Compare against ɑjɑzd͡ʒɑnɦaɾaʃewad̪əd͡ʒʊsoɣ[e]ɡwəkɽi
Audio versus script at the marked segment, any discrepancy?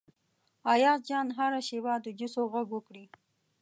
yes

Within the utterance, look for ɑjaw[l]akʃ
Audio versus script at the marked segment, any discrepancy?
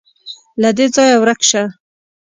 yes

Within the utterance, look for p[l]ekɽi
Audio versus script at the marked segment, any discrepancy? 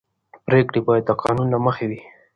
yes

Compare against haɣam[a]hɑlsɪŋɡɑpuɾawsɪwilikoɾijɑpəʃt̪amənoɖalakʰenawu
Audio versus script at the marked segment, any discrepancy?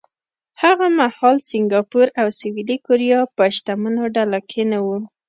no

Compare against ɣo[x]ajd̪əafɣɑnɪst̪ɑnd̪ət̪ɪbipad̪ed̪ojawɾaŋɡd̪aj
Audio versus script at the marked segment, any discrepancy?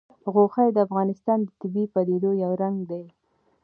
no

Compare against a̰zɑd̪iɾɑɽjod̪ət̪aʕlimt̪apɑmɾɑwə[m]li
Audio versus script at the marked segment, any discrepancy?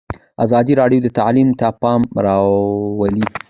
yes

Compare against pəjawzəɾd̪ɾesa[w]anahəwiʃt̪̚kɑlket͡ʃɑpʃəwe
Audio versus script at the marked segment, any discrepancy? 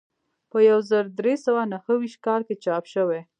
no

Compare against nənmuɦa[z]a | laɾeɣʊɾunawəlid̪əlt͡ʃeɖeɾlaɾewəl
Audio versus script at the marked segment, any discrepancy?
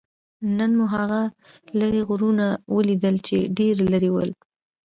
yes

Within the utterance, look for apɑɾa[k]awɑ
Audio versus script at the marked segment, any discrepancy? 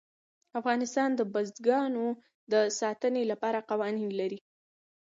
yes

